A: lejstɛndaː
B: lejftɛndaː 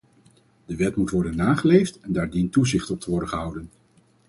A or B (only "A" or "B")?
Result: B